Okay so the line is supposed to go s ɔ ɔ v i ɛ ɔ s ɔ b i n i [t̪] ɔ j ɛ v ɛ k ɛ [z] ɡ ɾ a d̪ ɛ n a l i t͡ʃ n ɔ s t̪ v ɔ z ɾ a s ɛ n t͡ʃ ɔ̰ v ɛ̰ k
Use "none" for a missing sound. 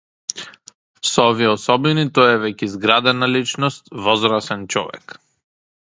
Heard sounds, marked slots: t̪, z

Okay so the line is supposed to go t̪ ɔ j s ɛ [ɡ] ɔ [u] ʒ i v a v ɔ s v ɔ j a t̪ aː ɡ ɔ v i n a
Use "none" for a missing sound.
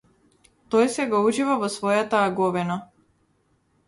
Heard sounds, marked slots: ɡ, u

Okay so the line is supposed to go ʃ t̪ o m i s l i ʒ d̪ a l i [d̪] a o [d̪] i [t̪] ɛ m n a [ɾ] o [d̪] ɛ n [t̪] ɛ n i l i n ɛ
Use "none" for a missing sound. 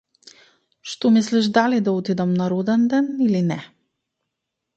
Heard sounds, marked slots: d̪, t̪, d̪, ɾ, d̪, d̪

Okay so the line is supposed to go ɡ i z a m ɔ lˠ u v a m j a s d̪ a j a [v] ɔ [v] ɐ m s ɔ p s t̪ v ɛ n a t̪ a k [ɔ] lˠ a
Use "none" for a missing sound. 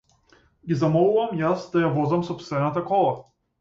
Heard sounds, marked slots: v, z, ɔ

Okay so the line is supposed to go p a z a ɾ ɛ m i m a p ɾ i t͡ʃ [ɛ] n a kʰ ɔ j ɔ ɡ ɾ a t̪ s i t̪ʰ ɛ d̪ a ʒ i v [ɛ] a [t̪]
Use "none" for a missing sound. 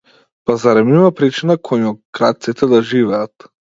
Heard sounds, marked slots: i, ɛ, t̪

